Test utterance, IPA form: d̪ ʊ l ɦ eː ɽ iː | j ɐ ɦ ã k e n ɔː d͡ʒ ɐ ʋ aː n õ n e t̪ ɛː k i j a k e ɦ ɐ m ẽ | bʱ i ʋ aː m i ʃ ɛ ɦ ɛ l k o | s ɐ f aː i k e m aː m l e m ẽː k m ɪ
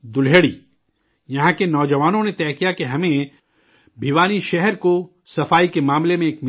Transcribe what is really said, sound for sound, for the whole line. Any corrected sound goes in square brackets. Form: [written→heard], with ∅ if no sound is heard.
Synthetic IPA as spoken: d̪ ʊ l ɦ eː ɽ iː | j ɐ ɦ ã k e n ɔː d͡ʒ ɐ ʋ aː n õ n e t̪ ɛː k i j a k e ɦ ɐ m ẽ | bʱ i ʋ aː [m→n] i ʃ ɛ ɦ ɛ [l→ɾ] k o | s ɐ f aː i k e m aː m l e m ẽː k m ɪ